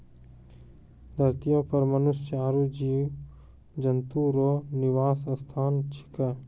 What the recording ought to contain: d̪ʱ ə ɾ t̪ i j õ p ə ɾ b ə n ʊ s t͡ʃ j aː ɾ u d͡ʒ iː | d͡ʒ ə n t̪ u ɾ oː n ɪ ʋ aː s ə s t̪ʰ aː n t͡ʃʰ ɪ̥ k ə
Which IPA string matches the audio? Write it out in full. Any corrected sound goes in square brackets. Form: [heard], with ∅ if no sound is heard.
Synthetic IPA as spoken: d̪ʱ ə ɾ t̪ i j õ p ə ɾ [m] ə n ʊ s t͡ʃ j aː ɾ u d͡ʒ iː | d͡ʒ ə n t̪ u ɾ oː n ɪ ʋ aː s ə s t̪ʰ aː n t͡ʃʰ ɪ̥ k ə